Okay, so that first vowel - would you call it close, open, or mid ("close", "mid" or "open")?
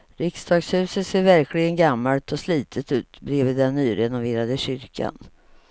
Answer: close